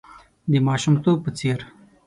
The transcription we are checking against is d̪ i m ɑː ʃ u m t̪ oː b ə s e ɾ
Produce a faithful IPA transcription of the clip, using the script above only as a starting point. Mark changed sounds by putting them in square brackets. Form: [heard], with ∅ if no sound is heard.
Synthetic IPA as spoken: d̪ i m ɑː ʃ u m t̪ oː [p] ə [t͡s] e ɾ